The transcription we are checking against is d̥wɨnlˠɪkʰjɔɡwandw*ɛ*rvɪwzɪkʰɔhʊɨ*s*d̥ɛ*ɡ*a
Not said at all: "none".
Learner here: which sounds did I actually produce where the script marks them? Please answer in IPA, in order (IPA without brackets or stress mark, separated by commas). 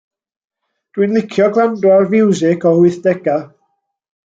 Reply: a, θ, ɡ